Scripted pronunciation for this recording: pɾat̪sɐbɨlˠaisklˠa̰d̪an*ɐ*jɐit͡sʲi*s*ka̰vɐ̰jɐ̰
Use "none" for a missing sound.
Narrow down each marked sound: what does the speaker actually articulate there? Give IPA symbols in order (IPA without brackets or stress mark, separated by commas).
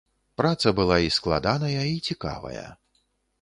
ɐ, none